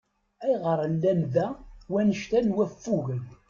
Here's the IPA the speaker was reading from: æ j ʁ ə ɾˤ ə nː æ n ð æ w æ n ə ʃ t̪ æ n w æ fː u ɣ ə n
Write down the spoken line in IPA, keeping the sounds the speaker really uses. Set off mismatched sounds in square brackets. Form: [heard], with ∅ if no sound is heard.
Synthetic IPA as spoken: æ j ʁ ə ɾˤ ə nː æ n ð æ w æ n ə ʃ t̪ æ n w æ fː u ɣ ə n